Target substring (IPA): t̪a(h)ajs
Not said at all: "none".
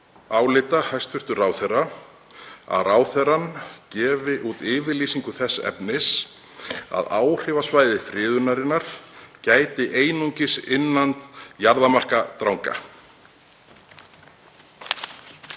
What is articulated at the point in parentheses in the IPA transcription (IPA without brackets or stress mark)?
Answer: h